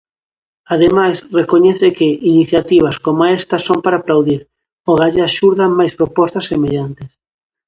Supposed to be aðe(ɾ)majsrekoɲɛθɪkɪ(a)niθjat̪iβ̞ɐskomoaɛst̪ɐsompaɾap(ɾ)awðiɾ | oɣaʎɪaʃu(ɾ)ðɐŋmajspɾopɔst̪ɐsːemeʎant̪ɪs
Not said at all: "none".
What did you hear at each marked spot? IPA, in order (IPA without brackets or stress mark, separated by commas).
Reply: none, i, l, ɾ